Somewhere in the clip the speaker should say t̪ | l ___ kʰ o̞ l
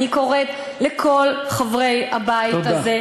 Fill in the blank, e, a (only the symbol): e